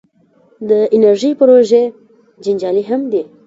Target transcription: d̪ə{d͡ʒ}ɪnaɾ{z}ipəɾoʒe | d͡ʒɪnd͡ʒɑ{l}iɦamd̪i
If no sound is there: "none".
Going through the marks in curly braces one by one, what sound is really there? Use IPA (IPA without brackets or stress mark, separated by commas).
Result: none, ʒ, l